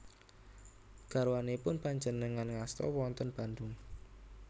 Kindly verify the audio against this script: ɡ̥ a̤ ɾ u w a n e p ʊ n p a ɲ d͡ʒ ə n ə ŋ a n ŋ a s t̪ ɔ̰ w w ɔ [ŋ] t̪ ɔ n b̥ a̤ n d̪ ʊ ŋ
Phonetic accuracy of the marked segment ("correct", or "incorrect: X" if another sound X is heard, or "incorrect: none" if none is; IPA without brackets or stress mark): incorrect: n